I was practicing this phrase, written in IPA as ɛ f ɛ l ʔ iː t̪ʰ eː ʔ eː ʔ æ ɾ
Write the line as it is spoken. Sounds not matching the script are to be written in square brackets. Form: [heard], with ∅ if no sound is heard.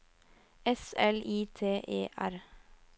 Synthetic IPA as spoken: ɛ [s] ɛ l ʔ iː t̪ʰ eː ʔ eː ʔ æ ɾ